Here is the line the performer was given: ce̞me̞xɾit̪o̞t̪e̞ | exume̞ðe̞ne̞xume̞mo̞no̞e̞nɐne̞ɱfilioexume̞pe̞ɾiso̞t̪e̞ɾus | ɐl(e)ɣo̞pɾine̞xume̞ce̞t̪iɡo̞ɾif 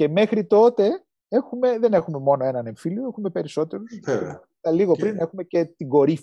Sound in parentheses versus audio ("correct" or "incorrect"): incorrect